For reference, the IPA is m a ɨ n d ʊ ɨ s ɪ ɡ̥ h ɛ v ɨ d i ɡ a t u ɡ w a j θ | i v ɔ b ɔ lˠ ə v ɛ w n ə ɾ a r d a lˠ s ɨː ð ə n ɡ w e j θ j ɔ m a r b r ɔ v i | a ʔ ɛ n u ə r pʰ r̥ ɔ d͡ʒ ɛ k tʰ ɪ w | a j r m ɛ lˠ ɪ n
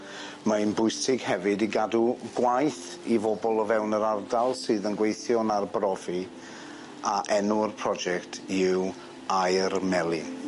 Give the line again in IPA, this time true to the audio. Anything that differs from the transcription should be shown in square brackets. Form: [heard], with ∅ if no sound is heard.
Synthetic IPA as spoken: m a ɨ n [b] ʊ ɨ s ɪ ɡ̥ h ɛ v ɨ d i ɡ a [d] u ɡ w a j θ | i v ɔ b ɔ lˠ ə v ɛ w n ə ɾ a r d a lˠ s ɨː ð ə n ɡ w e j θ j ɔ [n] a r b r ɔ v i | a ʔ ɛ n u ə r pʰ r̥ ɔ d͡ʒ ɛ k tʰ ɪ w | a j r m ɛ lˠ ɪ n